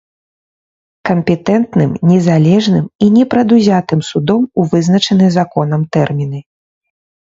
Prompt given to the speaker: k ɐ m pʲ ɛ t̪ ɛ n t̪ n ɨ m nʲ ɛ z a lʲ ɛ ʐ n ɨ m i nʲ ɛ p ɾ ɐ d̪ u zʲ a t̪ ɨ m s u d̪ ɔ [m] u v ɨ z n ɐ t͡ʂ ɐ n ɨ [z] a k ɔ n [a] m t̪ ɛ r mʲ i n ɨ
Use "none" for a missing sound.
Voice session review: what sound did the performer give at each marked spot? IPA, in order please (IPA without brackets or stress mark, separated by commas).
m, z, ɐ